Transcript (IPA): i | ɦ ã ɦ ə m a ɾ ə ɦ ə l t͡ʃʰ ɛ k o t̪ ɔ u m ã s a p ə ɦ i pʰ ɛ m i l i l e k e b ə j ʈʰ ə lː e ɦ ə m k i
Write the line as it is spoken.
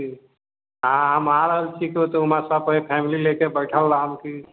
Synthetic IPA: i | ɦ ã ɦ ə m a ɾ ə ɦ ə l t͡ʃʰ i k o t̪ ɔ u m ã s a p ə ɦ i pʰ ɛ m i l i l e k e b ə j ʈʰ ə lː a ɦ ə m k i

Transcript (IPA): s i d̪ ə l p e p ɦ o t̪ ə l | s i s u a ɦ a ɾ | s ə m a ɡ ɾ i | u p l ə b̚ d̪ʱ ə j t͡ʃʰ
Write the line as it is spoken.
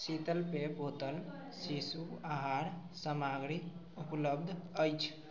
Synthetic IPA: s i t̪ ə l p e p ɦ o t̪ ə l | s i s u a ɦ a ɾ | s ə m a ɡ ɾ i | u p l ə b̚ d̪ʱ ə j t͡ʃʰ

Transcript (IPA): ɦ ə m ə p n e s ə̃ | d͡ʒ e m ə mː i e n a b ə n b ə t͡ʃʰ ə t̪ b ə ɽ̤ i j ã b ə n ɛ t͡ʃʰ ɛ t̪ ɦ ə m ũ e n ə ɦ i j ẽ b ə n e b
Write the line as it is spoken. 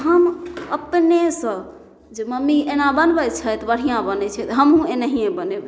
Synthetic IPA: ɦ ə m ə p n e s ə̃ | d͡ʒ e m ə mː i e n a b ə n b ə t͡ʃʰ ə t̪ b ə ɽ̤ i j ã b ə n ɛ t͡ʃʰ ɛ t̪ ɦ ə m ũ e n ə ɦ i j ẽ b ə n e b

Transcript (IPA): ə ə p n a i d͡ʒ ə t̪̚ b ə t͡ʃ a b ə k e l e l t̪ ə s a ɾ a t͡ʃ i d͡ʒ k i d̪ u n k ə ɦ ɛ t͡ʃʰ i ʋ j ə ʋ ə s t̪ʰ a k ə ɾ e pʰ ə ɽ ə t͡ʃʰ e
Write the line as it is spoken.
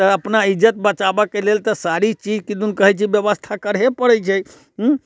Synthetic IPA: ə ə p n a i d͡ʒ ə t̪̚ b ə t͡ʃ a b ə k e l e l t̪ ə s a ɾ i t͡ʃ i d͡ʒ k i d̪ u n k ə ɦ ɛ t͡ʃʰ i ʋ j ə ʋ ə s t̪ʰ a k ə ɾ e p ə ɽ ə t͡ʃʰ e

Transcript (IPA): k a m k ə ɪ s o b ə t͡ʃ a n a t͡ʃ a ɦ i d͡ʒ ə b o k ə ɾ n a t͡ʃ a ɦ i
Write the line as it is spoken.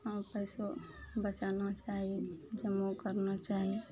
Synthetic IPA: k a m p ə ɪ s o b ə t͡ʃ a n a t͡ʃ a ɦ i d͡ʒ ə m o k ə ɾ n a t͡ʃ a ɦ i

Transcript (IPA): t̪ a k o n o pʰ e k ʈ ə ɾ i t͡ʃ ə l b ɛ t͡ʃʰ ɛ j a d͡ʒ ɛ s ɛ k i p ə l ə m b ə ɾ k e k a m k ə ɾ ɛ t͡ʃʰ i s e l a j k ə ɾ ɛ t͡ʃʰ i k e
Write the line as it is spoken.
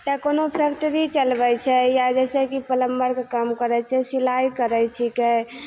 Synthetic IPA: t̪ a k o n o pʰ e k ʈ ə ɾ i t͡ʃ ə l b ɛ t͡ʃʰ ɛ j a d͡ʒ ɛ s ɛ k i p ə l ə m b ə ɾ k e k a m k ə ɾ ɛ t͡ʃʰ ɛ s i l a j k ə ɾ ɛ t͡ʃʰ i k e

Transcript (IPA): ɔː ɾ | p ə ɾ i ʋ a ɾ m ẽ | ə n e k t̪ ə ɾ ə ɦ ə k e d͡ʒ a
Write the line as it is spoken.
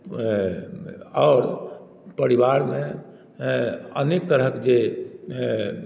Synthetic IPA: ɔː ɾ | p ə ɾ i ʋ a ɾ m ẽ | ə n e k t̪ ə ɾ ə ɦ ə k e d͡ʒ e

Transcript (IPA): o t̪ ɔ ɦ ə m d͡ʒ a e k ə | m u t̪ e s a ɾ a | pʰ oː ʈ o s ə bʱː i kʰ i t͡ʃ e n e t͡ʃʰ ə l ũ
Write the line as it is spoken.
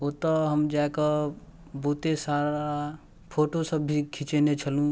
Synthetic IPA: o t̪ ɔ ɦ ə m d͡ʒ a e k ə | b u t̪ e s a ɾ a | pʰ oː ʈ o s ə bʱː i kʰ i t͡ʃ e n e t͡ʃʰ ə l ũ

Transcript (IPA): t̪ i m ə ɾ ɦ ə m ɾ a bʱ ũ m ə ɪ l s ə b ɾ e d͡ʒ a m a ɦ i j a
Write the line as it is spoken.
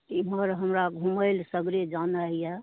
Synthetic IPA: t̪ i m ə ɾ ɦ ə m ɾ a ɡʱ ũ m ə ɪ l s ə ɡ ɾ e d͡ʒ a n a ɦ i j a

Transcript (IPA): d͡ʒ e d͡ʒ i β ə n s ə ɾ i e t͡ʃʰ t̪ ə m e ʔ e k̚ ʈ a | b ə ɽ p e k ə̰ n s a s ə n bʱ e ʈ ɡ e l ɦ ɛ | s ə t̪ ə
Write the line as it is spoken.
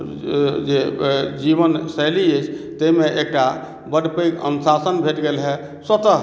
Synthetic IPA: d͡ʒ e d͡ʒ i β ə n s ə l i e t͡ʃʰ t̪ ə m e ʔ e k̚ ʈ a | b ə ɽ p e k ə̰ n s a s ə n bʱ e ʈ ɡ e l ɦ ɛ | s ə t̪ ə

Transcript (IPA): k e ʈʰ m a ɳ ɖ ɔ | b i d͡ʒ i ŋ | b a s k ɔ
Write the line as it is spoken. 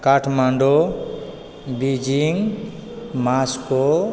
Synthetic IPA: k a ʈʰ m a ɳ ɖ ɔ | b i d͡ʒ i ŋ | m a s k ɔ

